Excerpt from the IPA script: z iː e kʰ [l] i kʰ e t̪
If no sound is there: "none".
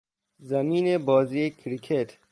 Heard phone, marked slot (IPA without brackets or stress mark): ɾ